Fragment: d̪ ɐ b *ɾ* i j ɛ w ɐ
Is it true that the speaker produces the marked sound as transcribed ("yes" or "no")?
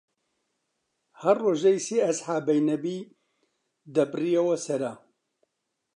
no